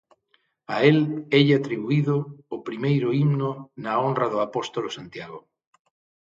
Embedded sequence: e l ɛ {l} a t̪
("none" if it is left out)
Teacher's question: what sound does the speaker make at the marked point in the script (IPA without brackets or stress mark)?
ʎ